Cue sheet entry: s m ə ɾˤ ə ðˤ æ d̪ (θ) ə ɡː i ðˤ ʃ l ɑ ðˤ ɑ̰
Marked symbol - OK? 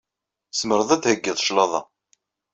no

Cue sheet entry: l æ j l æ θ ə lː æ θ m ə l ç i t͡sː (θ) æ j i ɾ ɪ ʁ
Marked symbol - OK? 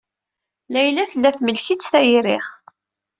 yes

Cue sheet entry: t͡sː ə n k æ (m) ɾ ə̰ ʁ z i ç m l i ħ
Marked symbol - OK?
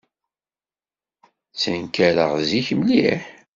no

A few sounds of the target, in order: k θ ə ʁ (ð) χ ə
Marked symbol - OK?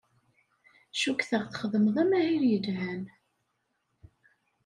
no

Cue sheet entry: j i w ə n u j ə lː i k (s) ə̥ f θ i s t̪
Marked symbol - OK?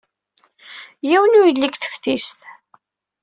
no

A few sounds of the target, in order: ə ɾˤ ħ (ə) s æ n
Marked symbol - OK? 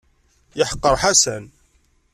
no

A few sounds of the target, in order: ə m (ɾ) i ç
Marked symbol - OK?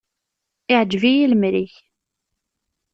yes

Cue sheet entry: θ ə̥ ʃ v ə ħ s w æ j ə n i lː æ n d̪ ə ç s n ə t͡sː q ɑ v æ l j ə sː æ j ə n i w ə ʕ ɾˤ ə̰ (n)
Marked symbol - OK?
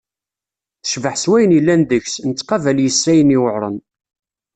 yes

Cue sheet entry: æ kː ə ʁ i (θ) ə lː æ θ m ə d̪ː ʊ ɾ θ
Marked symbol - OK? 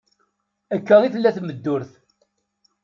yes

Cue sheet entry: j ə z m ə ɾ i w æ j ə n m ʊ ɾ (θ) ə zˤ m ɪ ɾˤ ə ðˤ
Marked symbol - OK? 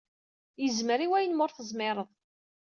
yes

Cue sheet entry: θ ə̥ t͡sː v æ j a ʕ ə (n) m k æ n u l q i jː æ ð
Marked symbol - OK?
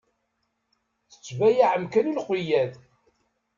no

